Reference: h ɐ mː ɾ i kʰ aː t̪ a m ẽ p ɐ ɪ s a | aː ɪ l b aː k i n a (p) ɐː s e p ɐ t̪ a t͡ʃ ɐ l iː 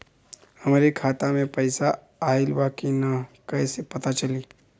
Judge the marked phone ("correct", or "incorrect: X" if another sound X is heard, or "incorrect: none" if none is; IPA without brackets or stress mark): incorrect: k